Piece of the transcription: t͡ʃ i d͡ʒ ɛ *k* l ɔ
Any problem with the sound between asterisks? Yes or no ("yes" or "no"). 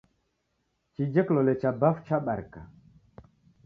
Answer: no